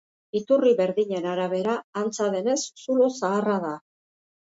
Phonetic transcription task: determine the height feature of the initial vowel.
high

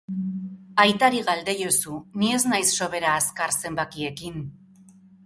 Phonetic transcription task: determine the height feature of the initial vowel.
low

